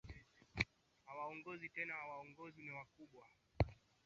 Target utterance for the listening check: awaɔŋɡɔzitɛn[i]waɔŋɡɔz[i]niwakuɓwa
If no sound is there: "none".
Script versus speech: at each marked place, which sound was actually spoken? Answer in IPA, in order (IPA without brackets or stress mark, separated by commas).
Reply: a, i